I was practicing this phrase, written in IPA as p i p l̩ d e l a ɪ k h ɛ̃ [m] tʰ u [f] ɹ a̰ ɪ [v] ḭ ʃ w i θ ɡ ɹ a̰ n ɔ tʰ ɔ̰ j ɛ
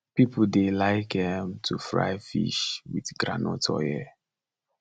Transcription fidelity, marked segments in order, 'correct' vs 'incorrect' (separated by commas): correct, correct, incorrect